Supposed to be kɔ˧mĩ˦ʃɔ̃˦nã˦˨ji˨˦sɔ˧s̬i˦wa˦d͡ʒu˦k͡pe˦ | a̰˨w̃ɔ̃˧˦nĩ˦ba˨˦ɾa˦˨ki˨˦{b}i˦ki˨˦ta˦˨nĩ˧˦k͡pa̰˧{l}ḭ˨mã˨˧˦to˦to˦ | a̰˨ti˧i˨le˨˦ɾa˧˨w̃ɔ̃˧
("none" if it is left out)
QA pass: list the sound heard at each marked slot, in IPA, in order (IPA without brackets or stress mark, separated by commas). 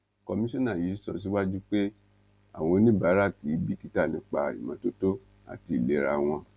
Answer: b, none